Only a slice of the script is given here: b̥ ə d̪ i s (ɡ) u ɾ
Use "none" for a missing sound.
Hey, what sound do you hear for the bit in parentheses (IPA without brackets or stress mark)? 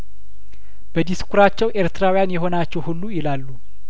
k